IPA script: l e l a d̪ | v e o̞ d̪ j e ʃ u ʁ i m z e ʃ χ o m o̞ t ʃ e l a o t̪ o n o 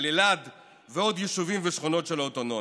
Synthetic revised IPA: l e l a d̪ | v e o̞ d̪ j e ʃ u v i m v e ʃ χ o n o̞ t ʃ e l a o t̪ o n o